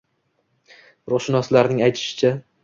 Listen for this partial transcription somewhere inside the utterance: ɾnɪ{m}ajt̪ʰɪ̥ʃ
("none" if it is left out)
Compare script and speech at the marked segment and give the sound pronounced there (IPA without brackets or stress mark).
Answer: ŋ